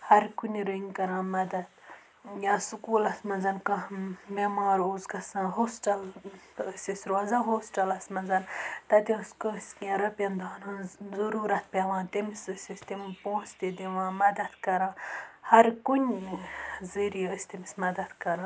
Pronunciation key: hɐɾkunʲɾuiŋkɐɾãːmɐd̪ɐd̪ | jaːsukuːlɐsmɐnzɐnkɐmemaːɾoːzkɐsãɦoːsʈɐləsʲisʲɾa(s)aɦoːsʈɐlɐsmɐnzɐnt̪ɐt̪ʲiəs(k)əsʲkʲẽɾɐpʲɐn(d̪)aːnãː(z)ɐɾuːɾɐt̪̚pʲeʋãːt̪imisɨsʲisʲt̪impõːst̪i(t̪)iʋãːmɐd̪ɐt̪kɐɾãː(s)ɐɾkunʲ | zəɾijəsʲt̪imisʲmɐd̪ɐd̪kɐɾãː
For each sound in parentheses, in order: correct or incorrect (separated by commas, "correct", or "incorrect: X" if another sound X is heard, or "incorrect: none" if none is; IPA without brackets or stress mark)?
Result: incorrect: z, correct, correct, correct, incorrect: d̪, incorrect: h